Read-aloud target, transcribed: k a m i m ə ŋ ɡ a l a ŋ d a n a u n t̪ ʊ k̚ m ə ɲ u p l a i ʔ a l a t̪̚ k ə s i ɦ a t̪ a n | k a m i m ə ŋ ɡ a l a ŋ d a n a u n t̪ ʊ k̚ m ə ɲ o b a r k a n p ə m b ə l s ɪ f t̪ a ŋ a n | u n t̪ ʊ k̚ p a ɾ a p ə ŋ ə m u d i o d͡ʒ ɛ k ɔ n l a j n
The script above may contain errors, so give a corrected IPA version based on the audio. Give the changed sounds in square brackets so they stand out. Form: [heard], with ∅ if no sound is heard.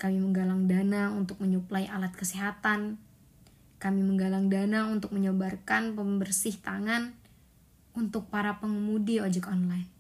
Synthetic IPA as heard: k a m i m ə ŋ ɡ a l a ŋ d a n a u n t̪ ʊ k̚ m ə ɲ u p l a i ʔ a l a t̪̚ k ə s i ɦ a t̪ a n | k a m i m ə ŋ ɡ a l a ŋ d a n a u n t̪ ʊ k̚ m ə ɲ o b a r k a n p ə m b ə [r] s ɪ [h] t̪ a ŋ a n | u n t̪ ʊ k̚ p a ɾ a p ə ŋ ə m u d i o d͡ʒ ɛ k ɔ n l a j n